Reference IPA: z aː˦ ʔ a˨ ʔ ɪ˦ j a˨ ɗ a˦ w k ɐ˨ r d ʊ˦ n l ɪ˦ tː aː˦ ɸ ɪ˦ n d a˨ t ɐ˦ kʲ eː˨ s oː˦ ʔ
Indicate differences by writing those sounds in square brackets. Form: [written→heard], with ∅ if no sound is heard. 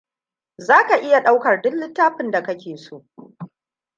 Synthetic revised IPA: z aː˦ [ʔ→k] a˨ ʔ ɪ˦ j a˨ ɗ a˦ w k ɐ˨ r d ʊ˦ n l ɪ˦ tː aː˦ ɸ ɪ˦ n d a˨ [t→k] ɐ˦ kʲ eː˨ s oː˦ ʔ